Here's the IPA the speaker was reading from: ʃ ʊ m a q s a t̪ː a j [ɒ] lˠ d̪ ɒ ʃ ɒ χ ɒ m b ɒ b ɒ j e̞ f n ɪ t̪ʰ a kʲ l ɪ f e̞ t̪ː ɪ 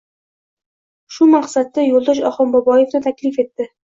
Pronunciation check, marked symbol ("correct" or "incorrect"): incorrect